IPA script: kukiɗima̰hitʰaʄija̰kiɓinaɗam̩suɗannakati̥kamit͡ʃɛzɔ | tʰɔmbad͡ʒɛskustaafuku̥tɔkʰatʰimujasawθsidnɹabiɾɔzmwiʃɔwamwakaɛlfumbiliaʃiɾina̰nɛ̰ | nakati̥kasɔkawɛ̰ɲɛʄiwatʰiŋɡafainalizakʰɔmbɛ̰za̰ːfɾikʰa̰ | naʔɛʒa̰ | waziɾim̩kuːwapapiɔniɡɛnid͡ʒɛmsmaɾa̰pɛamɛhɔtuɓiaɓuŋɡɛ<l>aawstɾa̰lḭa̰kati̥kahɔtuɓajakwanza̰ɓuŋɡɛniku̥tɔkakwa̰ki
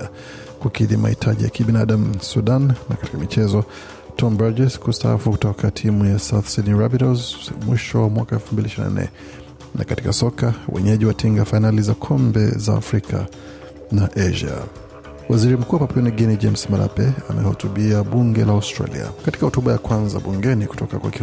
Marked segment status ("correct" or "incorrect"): correct